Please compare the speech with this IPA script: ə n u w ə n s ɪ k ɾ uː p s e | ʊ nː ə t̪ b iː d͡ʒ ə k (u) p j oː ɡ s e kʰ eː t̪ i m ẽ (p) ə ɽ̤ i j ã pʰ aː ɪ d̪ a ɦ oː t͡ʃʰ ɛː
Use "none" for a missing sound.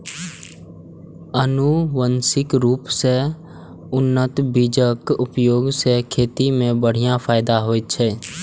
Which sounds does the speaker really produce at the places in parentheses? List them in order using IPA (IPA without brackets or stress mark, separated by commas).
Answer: ʊ, b